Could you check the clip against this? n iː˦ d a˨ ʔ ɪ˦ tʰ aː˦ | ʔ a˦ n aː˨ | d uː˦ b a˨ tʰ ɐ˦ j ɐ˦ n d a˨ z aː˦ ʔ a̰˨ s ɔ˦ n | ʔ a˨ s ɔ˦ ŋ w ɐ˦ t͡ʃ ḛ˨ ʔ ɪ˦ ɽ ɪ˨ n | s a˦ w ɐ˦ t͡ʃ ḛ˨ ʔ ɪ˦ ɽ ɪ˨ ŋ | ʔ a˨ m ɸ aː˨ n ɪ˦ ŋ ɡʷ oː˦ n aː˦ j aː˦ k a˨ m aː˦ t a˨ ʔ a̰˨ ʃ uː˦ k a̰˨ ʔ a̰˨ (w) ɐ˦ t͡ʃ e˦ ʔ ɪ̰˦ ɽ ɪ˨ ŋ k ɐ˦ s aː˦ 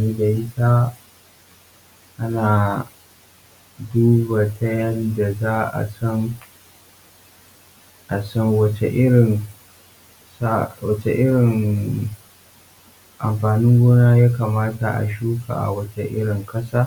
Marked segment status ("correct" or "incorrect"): correct